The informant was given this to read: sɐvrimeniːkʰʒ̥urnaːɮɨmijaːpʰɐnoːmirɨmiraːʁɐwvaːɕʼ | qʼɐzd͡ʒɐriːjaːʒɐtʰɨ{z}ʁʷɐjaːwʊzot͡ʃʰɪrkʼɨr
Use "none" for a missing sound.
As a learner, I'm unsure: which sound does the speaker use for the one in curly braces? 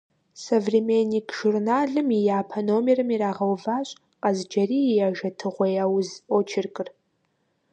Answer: none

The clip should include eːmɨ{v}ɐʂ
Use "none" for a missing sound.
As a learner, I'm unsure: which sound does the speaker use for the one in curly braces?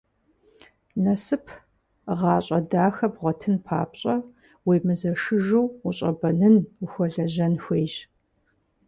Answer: z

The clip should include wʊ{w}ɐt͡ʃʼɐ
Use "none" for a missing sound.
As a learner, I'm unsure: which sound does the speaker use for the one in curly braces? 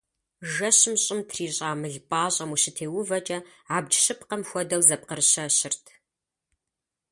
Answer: v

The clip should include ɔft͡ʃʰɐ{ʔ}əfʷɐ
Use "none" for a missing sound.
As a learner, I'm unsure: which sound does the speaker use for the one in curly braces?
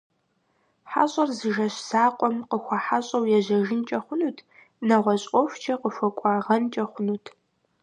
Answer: q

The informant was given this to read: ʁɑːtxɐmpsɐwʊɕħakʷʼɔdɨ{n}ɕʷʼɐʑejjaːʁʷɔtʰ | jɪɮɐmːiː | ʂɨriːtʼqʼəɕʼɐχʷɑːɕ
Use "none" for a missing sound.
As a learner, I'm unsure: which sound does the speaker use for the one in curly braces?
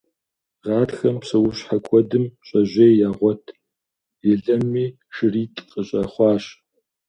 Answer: m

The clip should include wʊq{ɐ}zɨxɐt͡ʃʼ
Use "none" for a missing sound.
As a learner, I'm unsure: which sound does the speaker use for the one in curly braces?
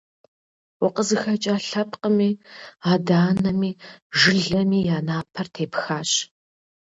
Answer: ə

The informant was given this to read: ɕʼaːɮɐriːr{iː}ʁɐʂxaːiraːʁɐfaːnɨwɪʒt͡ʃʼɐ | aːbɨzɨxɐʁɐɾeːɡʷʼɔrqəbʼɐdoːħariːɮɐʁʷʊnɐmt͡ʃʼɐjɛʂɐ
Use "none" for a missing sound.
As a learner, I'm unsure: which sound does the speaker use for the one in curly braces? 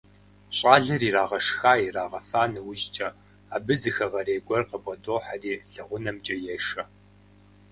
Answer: aː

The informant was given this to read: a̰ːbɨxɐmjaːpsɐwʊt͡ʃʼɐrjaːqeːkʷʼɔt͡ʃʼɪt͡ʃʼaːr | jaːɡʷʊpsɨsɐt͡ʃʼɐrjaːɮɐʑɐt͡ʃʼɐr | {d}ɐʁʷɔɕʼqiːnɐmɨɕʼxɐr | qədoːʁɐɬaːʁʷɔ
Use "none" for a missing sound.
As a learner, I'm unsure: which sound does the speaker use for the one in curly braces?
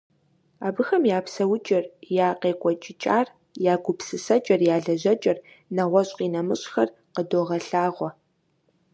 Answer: n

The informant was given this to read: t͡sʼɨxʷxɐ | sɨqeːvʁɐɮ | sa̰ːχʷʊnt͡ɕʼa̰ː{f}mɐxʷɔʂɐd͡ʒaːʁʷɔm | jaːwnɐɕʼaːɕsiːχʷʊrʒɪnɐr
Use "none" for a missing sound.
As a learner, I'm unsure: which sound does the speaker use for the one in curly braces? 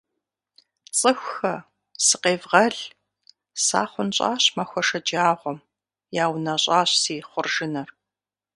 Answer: ɕ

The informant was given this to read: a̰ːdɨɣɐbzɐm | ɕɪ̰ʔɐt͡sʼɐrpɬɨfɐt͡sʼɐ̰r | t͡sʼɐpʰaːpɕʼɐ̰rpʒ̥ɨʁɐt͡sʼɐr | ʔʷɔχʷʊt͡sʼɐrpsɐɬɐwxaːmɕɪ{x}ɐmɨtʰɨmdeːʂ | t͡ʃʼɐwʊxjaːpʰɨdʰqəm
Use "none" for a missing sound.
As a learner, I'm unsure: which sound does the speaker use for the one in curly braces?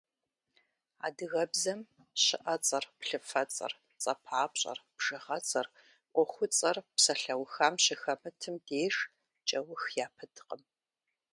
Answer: x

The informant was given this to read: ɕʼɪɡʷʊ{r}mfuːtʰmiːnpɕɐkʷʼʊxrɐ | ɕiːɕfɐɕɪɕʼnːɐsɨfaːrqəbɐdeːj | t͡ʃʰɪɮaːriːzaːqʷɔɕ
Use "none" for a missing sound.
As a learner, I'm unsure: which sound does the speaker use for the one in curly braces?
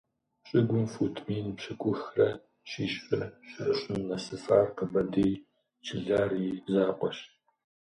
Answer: none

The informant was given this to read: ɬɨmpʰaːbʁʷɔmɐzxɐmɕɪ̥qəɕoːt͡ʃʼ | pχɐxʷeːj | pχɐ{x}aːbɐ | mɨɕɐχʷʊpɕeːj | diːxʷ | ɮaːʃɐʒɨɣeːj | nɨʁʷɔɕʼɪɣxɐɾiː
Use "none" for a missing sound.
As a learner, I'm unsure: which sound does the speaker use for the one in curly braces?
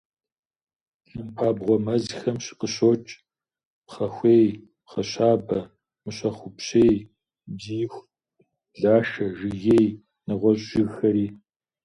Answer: ɕ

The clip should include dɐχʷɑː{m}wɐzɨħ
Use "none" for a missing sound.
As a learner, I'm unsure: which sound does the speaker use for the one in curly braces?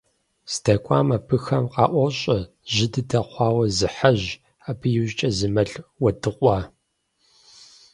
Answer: none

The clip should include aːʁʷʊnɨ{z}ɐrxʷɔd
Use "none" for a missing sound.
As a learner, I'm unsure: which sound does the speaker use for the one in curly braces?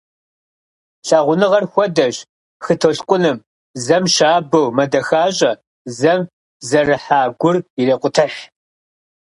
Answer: ʁ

